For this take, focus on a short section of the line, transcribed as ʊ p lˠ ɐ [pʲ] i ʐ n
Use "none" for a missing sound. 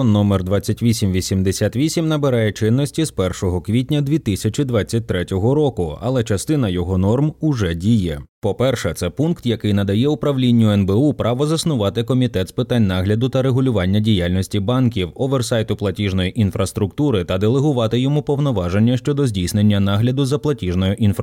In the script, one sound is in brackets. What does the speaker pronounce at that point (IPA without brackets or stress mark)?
tʲ